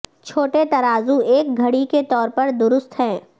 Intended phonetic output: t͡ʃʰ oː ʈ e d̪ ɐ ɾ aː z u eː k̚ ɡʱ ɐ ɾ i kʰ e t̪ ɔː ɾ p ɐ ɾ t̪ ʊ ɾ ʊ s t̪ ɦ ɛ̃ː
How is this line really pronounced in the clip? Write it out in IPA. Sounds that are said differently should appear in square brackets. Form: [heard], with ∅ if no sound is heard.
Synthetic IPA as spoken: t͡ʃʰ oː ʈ e [t̪] ɐ ɾ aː z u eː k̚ ɡʱ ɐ [ɽ] i [k] e t̪ ɔː ɾ p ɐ ɾ [d̪] ʊ ɾ ʊ s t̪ ɦ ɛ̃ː